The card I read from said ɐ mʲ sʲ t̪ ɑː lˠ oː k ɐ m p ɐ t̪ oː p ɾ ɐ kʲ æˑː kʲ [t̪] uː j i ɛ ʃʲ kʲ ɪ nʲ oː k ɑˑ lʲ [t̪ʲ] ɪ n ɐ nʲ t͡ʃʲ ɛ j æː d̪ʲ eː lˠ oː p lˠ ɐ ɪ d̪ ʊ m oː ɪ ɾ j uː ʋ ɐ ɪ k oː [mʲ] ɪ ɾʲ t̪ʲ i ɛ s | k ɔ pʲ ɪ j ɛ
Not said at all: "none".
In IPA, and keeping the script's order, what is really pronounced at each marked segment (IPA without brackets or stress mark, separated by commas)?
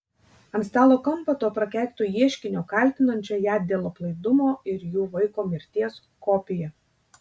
t̪, t̪ʲ, mʲ